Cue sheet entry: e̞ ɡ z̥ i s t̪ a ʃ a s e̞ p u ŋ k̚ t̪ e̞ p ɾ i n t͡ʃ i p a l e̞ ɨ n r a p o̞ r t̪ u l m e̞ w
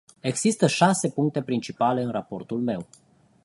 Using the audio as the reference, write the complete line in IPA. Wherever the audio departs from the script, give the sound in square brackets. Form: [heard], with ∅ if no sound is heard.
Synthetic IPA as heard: e̞ ɡ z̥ i s t̪ [ə] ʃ a s e̞ p u ŋ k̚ t̪ e̞ p ɾ i n t͡ʃ i p a l e̞ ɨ n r a p o̞ r t̪ u l m e̞ w